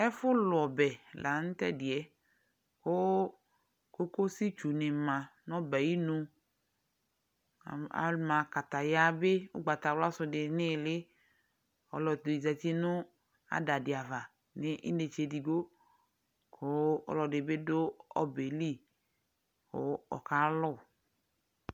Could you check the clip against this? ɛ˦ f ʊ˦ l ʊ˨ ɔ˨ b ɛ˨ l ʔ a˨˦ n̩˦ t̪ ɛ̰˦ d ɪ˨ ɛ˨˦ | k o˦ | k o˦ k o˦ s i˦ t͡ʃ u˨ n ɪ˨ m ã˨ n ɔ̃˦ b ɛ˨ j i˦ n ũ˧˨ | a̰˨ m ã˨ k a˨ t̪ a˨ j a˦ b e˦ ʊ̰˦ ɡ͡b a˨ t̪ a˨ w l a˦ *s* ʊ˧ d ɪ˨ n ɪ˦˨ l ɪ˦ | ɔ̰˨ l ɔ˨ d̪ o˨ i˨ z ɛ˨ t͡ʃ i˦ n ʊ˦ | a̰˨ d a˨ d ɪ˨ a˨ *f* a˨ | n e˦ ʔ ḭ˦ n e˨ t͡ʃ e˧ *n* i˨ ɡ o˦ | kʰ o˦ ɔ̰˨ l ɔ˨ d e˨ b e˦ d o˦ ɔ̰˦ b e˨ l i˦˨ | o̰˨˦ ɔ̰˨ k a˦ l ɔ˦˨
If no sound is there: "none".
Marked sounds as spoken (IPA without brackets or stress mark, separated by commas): s, v, d